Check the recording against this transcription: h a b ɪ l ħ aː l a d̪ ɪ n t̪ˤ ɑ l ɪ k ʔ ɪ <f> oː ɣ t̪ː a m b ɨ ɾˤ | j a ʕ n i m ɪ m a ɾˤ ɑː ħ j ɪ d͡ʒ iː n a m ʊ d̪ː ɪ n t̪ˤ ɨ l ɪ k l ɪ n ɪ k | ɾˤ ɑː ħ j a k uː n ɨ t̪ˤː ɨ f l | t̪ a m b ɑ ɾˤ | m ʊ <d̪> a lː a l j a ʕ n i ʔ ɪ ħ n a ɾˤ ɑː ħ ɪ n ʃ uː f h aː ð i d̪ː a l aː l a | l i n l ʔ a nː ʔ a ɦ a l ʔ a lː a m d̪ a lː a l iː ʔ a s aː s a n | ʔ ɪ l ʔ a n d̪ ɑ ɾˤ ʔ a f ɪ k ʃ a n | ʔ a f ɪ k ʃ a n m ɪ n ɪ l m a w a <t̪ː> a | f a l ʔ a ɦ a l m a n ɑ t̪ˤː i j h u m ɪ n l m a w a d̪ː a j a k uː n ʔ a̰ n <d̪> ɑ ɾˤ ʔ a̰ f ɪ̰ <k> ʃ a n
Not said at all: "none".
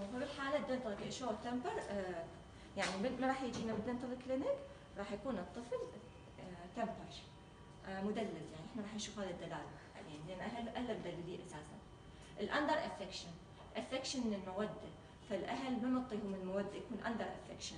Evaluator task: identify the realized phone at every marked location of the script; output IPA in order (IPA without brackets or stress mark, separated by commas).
ʃ, d̪, d̪ː, d̪, k